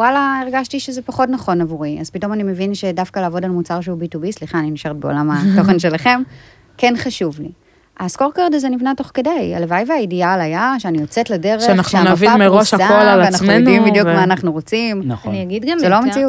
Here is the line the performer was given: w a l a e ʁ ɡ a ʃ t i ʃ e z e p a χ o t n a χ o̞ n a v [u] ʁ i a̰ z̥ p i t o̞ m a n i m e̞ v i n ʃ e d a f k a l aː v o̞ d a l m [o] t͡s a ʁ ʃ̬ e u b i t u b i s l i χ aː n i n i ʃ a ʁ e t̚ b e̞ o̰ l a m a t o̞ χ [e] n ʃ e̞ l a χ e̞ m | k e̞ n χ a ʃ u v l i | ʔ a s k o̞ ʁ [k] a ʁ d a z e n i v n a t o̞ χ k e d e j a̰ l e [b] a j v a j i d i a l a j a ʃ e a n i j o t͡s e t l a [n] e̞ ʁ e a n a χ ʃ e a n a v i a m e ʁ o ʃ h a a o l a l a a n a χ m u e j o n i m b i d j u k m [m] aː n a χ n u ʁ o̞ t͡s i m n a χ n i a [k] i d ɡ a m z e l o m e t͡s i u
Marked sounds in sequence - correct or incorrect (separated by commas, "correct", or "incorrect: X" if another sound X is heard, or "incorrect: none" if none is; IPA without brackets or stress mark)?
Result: correct, incorrect: u, correct, correct, incorrect: v, incorrect: d, correct, incorrect: ɡ